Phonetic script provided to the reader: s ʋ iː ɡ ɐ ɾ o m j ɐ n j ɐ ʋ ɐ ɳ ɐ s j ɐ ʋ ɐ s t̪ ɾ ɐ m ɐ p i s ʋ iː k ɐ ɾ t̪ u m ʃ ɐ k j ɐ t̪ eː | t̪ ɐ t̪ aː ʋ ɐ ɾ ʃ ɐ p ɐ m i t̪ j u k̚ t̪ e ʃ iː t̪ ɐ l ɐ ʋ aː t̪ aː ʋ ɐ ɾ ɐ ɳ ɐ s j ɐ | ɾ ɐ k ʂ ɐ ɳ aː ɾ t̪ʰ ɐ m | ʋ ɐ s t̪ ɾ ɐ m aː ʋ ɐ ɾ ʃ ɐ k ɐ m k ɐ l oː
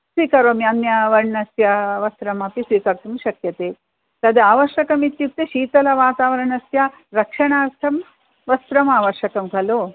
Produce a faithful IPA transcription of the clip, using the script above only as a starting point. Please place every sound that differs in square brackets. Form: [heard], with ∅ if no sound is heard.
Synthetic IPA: s ʋ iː [k] ɐ ɾ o m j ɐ n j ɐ ʋ ɐ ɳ ɐ s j ɐ ʋ ɐ s t̪ ɾ ɐ m ɐ p i s ʋ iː k ɐ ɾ t̪ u m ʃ ɐ k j ɐ t̪ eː | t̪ ɐ [d̪] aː ʋ ɐ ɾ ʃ ɐ [k] ɐ m i t̪ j u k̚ t̪ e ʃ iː t̪ ɐ l ɐ ʋ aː t̪ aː ʋ ɐ ɾ ɐ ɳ ɐ s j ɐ | ɾ ɐ k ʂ ɐ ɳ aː ɾ t̪ʰ ɐ m | ʋ ɐ s t̪ ɾ ɐ m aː ʋ ɐ ɾ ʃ ɐ k ɐ m k ɐ l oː